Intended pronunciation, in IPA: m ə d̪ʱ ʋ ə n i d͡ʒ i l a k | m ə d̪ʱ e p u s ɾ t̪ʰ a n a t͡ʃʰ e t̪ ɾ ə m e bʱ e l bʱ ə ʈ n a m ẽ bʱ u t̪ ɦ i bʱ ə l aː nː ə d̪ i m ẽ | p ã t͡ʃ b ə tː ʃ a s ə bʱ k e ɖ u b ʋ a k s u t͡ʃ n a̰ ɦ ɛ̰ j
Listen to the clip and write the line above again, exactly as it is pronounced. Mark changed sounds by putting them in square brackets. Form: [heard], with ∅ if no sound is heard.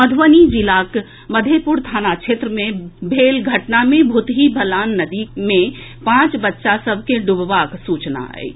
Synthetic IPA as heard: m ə d̪ʱ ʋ ə n i d͡ʒ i l a k | m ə d̪ʱ e p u [∅] ɾ t̪ʰ a n a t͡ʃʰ e t̪ ɾ ə m e bʱ e l [ɡʱ] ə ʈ n a m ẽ bʱ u t̪ ɦ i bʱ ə l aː nː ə d̪ i m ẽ | p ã t͡ʃ b ə tː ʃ a s ə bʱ k e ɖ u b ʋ a k s u t͡ʃ n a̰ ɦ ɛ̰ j